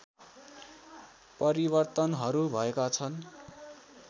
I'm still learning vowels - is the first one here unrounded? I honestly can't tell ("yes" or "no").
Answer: yes